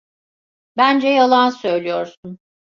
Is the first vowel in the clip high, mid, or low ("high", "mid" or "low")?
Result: low